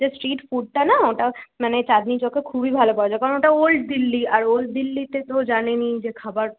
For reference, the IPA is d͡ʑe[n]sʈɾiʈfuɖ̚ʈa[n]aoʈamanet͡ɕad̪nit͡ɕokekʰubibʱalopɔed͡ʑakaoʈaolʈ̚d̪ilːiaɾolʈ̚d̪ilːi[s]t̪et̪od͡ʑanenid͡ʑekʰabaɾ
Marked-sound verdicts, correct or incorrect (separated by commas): incorrect, correct, incorrect